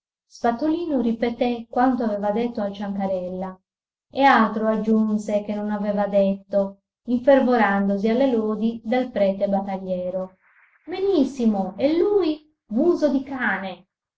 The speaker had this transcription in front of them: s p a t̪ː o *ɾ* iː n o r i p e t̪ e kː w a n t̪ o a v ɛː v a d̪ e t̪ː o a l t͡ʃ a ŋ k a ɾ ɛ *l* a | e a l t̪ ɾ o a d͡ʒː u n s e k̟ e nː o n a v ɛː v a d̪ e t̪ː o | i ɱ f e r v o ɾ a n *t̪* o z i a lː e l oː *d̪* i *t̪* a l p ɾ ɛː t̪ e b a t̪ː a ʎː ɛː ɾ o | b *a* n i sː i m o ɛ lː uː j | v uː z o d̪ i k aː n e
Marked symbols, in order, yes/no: no, no, no, yes, no, no

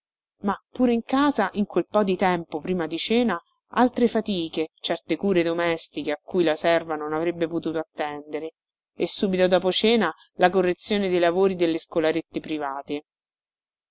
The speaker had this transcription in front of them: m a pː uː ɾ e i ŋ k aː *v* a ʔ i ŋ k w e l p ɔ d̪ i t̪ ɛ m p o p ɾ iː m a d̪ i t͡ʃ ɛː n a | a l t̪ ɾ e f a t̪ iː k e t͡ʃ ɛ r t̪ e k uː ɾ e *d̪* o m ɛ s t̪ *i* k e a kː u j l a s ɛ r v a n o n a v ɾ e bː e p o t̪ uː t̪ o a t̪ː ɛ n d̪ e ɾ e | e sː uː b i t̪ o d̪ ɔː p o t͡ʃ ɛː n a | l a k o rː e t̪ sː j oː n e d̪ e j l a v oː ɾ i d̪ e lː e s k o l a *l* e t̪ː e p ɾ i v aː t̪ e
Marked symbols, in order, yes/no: no, yes, yes, no

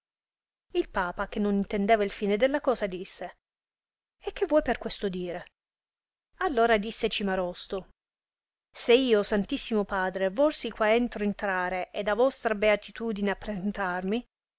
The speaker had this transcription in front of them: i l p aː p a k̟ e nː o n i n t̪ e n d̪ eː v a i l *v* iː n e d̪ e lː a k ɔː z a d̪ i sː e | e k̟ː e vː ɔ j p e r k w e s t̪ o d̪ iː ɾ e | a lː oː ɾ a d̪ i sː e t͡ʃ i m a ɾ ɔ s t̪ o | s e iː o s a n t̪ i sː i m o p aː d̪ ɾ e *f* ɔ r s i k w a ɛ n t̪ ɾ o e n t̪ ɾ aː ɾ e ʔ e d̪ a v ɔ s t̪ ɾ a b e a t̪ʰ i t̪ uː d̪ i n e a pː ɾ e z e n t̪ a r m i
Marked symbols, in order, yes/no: no, no

